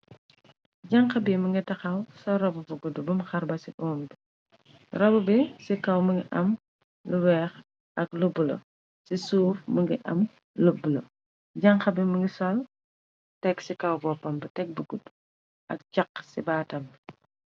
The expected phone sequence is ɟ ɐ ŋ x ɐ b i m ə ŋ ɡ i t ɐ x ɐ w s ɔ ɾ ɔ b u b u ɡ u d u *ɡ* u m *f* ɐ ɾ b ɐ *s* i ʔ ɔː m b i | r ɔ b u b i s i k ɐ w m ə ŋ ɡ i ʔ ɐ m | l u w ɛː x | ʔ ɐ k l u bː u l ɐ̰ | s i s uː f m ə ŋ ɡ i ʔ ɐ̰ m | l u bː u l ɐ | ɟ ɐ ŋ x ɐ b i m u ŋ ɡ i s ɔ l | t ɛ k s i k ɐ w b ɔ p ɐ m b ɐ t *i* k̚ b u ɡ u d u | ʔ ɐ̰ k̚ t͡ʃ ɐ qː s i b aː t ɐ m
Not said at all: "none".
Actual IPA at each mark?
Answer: b, x, s, ɛ

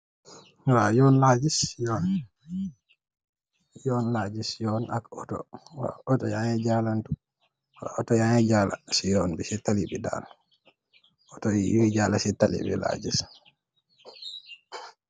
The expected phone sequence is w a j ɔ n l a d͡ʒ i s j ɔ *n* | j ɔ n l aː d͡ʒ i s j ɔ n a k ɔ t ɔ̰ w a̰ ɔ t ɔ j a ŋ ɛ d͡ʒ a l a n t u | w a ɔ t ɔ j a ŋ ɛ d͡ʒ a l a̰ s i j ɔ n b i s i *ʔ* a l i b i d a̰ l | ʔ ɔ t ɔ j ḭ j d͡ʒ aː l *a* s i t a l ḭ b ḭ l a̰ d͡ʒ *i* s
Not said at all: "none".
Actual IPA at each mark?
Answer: n, t, a, i

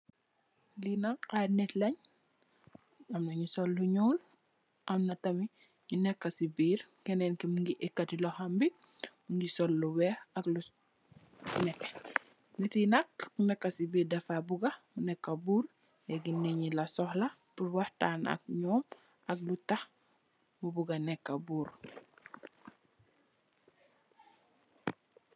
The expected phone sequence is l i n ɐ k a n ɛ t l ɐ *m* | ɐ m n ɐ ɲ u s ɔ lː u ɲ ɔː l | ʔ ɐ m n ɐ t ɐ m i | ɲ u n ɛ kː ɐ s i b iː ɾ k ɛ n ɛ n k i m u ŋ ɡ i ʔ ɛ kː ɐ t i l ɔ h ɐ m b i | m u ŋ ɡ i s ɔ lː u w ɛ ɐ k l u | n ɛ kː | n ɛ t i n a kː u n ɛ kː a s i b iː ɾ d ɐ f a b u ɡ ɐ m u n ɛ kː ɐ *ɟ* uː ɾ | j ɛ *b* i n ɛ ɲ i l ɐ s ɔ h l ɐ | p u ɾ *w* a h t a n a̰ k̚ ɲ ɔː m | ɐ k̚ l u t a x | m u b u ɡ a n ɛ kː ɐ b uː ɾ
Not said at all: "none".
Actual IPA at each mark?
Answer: ɲ, b, ɡ, w

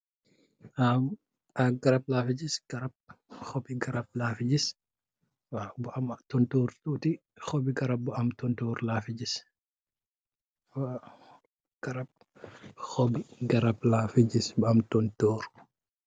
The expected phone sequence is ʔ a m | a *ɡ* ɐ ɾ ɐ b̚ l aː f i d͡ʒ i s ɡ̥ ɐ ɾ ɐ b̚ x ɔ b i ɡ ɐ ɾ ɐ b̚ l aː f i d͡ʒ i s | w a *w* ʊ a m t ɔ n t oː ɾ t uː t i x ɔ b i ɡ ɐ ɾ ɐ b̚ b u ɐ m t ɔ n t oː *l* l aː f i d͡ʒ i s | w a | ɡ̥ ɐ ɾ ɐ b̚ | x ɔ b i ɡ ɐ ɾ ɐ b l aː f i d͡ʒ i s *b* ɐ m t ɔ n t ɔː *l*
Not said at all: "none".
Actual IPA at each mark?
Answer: ɡ, b, ɾ, b, ɾ

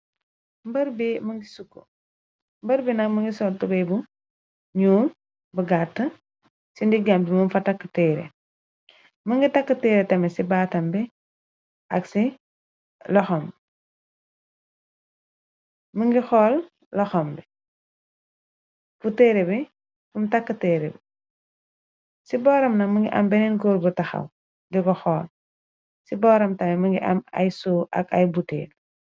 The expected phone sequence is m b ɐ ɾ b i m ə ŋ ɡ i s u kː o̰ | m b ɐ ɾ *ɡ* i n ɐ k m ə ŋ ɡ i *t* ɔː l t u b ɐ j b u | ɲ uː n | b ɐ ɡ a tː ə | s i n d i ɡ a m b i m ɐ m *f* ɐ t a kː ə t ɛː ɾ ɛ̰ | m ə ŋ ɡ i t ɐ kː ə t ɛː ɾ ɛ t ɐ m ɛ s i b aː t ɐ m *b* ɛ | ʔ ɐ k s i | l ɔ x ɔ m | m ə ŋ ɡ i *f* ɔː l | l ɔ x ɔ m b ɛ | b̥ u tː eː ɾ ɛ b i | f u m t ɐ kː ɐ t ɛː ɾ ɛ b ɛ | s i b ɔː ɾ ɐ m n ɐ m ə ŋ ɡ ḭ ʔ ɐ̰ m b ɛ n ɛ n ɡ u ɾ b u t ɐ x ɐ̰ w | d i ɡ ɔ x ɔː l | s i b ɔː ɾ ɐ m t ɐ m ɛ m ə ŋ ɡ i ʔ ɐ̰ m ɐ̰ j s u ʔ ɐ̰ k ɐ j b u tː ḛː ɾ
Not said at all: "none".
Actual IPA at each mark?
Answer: b, s, f, b, x

